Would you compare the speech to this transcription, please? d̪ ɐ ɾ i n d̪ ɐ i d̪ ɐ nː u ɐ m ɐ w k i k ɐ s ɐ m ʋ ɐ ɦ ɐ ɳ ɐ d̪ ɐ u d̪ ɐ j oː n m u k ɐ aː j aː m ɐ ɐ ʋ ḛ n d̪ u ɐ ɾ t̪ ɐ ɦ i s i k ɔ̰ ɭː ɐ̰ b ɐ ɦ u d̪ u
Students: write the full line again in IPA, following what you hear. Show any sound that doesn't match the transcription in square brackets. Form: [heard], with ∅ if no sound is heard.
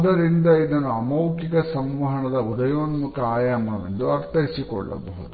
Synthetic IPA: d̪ ɐ ɾ i n d̪ ɐ i d̪ ɐ nː u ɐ m ɐ w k i k ɐ s ɐ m ʋ ɐ ɦ ɐ ɳ ɐ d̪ ɐ u d̪ ɐ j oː n m u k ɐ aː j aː m ɐ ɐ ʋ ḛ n d̪ u ɐ ɾ t̪ ɐ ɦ i s i k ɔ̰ ɭː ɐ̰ b ɐ ɦ u d̪ u